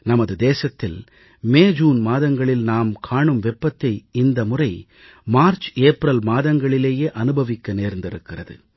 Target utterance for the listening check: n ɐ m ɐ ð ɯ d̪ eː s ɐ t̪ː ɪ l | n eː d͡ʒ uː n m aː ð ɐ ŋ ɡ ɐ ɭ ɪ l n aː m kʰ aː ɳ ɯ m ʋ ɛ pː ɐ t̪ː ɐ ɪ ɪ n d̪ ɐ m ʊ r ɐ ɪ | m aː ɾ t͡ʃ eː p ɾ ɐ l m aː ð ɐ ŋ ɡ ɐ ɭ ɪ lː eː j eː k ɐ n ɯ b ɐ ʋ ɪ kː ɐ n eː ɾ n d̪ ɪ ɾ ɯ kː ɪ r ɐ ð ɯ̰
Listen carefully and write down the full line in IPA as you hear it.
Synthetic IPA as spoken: n ɐ m ɐ ð ɯ d̪ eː s ɐ t̪ː ɪ l | m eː d͡ʒ uː n m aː ð ɐ ŋ ɡ ɐ ɭ ɪ l n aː m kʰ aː ɳ ɯ m ʋ ɛ pː ɐ t̪ː ɐ ɪ ɪ n d̪ ɐ m ʊ r ɐ ɪ | m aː ɾ t͡ʃ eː p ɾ ɐ l m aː ð ɐ ŋ ɡ ɐ ɭ ɪ l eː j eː ʔ ɐ n ɯ b ɐ ʋ ɪ kː ɐ n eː ɾ n d̪ ɪ ɾ ɯ kː ɪ r ɐ ð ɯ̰